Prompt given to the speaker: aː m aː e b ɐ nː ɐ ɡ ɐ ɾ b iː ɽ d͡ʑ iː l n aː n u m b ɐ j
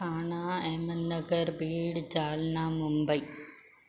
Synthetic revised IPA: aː ɳ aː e m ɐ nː ɐ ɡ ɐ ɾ b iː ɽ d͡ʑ aː l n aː m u m b ɐ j